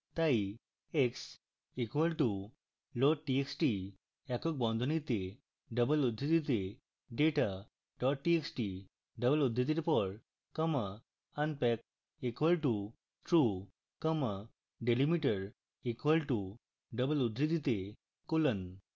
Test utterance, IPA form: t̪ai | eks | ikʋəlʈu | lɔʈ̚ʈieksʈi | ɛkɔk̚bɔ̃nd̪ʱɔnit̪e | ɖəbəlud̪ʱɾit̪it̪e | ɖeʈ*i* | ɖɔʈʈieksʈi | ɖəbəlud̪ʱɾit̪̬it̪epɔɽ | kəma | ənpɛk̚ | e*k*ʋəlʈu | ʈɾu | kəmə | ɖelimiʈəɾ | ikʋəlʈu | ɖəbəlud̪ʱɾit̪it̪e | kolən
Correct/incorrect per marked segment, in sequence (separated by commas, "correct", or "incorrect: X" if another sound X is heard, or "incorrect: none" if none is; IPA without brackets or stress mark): incorrect: a, correct